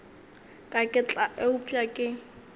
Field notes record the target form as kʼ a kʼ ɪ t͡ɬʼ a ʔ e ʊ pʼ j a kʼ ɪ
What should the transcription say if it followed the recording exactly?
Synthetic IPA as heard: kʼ a kʼ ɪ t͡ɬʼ a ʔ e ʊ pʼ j a kʼ ɪ

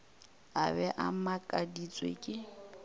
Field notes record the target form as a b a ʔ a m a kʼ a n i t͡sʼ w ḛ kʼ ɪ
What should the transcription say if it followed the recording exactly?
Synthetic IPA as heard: a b ɛ ʔ a m a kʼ a d i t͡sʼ w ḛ kʼ ɪ

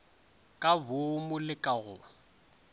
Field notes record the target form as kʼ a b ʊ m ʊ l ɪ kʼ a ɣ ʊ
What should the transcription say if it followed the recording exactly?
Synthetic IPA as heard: kʼ a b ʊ m ʊ l ɪ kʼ a ɣ ʊ

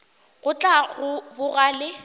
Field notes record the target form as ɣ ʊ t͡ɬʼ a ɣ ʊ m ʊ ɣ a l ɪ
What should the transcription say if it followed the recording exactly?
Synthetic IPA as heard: ɣ ʊ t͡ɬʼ a ɣ ʊ b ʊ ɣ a l ɪ

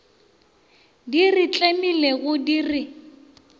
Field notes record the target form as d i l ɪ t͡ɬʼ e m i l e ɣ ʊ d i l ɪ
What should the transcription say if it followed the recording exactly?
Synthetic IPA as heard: d i r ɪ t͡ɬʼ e m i l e ɣ ʊ d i r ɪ

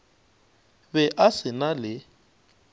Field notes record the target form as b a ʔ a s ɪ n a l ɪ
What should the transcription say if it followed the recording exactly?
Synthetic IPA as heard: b ɛ ʔ a s ɪ n a l ɪ

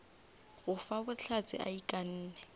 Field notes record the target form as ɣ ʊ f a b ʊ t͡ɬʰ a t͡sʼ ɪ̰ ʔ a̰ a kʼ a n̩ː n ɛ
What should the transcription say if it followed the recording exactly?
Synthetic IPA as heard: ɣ ʊ f a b ʊ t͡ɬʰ a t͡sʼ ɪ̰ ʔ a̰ i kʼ a n̩ː n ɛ

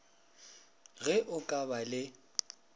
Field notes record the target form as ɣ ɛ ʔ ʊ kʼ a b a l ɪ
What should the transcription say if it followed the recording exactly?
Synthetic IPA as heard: ɣ ɛ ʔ ʊ kʼ a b a l ɪ

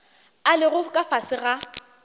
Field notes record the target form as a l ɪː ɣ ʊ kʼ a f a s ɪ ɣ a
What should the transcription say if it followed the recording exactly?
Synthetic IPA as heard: a l ɪ ɣ ʊ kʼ a f a s ɪ ɣ a

